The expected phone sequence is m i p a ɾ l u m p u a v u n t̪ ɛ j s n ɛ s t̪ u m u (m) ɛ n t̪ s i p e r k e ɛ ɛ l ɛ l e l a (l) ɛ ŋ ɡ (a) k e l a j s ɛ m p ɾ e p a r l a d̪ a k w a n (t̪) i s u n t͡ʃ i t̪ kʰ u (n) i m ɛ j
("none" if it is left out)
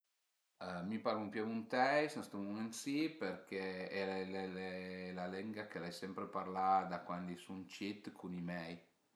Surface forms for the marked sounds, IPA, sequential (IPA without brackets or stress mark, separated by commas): m, l, a, d̪, n